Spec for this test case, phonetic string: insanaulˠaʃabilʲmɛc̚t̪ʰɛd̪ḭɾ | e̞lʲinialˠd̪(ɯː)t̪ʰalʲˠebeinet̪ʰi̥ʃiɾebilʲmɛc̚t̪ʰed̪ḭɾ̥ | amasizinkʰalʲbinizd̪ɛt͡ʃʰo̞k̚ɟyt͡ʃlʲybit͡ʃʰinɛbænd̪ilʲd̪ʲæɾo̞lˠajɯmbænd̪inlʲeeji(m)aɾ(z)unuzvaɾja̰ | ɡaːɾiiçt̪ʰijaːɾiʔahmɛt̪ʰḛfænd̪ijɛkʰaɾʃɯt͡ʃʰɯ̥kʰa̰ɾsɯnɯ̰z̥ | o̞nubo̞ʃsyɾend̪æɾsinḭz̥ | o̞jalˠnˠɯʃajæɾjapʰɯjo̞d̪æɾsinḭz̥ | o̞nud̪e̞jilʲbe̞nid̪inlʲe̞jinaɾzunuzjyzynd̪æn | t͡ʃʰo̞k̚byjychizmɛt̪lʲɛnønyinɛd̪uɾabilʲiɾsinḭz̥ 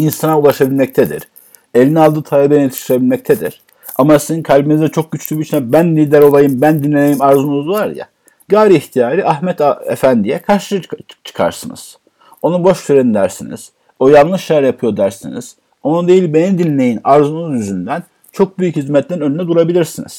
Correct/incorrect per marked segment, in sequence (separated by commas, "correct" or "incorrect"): correct, correct, correct